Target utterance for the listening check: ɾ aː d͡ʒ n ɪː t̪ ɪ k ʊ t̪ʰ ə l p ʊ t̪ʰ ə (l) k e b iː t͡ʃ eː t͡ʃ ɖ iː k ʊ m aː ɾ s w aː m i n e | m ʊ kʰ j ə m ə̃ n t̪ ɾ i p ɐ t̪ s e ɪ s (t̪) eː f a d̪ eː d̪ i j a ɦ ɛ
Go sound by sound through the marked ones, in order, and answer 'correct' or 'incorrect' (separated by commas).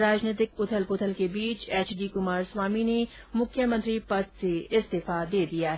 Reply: correct, correct